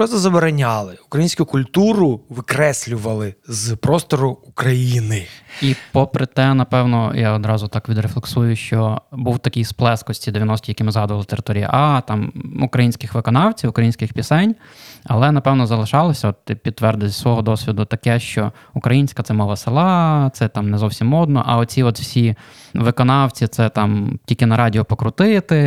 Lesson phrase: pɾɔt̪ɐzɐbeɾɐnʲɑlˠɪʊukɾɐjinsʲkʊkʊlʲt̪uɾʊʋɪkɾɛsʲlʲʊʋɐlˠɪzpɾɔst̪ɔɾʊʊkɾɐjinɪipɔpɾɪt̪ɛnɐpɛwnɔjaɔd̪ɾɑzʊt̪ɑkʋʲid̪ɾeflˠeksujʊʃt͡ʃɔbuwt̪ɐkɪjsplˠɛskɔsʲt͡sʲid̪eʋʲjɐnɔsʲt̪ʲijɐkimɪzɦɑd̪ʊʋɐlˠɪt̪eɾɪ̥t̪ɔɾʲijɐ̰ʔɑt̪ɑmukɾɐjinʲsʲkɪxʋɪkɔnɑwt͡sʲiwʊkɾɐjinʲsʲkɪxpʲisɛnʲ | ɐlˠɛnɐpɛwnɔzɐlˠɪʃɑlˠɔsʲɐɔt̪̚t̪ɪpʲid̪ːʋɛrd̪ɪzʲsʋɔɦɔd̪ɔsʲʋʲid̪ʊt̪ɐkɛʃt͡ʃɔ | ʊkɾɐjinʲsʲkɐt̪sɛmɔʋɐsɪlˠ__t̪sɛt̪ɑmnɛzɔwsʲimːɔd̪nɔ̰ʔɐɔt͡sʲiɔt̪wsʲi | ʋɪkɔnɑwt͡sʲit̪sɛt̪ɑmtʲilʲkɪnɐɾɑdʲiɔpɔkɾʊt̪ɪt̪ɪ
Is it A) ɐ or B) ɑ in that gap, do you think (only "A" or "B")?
B